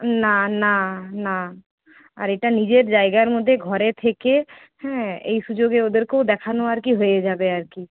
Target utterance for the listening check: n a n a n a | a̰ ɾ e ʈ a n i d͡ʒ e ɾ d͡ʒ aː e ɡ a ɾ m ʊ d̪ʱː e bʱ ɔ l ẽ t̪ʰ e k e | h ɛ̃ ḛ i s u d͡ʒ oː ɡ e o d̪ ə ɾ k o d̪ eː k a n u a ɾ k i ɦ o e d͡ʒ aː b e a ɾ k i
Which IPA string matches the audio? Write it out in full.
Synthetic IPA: n a n a n a | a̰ ɾ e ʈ a n i d͡ʒ e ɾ d͡ʒ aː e ɡ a ɾ m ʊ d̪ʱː e ɡʱ ɔ ɾ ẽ t̪ʰ e k e | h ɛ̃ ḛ i s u d͡ʒ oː ɡ e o d̪ ə ɾ k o d̪ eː kʰ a n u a ɾ k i ɦ o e d͡ʒ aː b e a ɾ k i

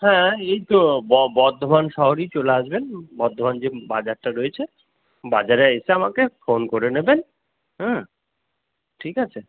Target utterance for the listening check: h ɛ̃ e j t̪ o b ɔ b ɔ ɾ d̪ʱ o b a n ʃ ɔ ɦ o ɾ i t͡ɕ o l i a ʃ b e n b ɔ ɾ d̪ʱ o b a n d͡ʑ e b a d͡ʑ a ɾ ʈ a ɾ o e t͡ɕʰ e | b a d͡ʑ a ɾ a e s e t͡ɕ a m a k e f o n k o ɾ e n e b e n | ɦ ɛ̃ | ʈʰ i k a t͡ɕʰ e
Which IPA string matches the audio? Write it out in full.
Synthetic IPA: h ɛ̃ e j t̪ o b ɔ b ɔ ɾ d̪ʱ o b a n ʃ ɔ ɦ o ɾ i t͡ɕ o l e a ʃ b e n b ɔ ɾ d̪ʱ o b a n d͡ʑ e b a d͡ʑ a ɾ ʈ a ɾ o e t͡ɕʰ e | b a d͡ʑ a ɾ e e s e a m a k e f o n k o ɾ e n e b e n | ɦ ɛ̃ | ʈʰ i k a t͡ɕʰ e

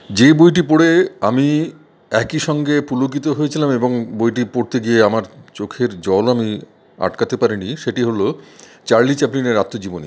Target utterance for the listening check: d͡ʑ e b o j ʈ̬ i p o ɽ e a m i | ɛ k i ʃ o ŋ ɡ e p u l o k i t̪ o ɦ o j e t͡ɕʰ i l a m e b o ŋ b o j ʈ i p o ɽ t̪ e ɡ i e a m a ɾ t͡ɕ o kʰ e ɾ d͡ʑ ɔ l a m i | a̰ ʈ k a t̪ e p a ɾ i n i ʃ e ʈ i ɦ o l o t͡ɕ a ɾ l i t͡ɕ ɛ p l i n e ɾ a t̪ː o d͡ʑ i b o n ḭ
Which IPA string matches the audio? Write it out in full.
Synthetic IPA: d͡ʑ e b o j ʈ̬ i p o ɽ e a m i | ɛ k i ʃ ɔ ŋ ɡ e p u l o k i t̪ o ɦ o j e t͡ɕʰ i l a m e b o ŋ b o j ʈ i p o ɽ t̪ e ɡ i e a m a ɾ t͡ɕ o kʰ e ɾ d͡ʑ ɔ l a m i | a̰ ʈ k a t̪ e p a ɾ i n i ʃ e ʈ i ɦ o l o t͡ɕ a ɾ l i t͡ɕ ɛ p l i n e ɾ a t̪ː o d͡ʑ i b o n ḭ

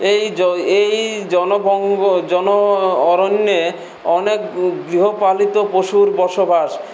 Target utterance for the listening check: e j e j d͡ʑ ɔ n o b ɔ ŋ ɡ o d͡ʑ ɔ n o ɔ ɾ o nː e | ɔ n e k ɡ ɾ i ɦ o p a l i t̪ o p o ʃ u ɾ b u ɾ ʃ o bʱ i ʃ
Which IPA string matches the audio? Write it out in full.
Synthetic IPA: e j e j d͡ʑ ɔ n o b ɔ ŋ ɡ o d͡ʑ ɔ n o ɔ ɾ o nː e | ɔ n e k ɡ ɾ i ɦ o p a l i t̪ o p o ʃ u ɾ b ɔ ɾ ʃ o bʱ a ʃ

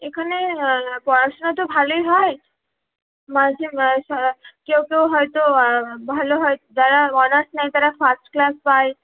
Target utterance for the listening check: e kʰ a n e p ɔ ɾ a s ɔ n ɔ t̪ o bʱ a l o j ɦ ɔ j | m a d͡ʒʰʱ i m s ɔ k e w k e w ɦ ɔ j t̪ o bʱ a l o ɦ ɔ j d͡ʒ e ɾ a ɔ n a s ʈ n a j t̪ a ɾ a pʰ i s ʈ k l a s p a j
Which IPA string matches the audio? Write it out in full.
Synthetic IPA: e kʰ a n e p ɔ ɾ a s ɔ n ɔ t̪ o bʱ a l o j ɦ ɔ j | m a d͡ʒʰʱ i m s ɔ k e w k e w ɦ ɔ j t̪ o bʱ a l o ɦ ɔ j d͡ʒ a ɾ a ɔ n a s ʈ n a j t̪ a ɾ a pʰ a s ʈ k l a s p a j

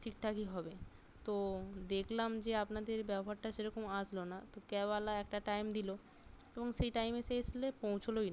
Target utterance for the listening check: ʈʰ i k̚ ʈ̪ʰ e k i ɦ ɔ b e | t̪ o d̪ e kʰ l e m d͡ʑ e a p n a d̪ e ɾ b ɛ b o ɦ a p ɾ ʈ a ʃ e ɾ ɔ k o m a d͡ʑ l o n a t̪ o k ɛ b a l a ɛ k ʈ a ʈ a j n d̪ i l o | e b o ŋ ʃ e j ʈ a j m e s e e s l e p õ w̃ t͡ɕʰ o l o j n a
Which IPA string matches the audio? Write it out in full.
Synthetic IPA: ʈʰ i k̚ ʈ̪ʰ a k i ɦ ɔ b e | t̪ o d̪ e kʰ l a m d͡ʑ e a p n a d̪ e ɾ b ɛ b o ɦ a ɾ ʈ a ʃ e ɾ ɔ k o m a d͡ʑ l o n a t̪ o k ɛ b a l a ɛ k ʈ a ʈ a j m d̪ i l o | e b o ŋ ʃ e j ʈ a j m e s e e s l e p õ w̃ t͡ɕʰ o l o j n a

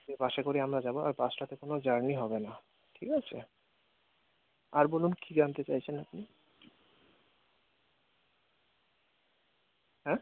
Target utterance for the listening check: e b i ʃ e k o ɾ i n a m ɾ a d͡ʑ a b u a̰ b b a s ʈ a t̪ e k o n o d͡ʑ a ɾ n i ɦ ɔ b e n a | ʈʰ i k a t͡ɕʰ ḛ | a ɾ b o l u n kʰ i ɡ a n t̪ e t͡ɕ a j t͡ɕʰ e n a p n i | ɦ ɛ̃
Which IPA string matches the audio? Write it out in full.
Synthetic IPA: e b a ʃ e k o ɾ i a m ɾ a d͡ʑ a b o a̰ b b a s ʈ a t̪ e k o n o d͡ʑ a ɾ n i ɦ ɔ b e n a | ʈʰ i k a t͡ɕʰ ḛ | a ɾ b o l u n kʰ i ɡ a n t̪ e t͡ɕ a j t͡ɕʰ e n a p n i | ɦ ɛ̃

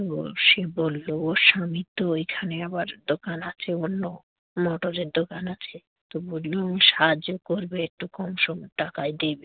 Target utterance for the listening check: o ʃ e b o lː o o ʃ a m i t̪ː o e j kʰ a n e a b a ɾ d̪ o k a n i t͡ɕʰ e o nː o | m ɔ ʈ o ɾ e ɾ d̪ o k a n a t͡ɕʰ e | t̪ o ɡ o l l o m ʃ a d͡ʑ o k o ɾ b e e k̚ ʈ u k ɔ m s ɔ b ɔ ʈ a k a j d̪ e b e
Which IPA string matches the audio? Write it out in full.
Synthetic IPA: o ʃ e b o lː o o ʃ a m i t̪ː o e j kʰ a n e a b a ɾ d̪ o k a n a t͡ɕʰ e o nː o | m ɔ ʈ o ɾ e ɾ d̪ o k a n a t͡ɕʰ e | t̪ o b o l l o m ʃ a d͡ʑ o k o ɾ b e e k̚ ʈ u k ɔ m ʃ ɔ m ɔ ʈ a k a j d̪ e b e

